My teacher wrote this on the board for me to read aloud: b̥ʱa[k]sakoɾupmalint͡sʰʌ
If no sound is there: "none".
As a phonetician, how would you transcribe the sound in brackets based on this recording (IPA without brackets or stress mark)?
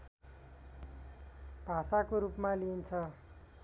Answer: none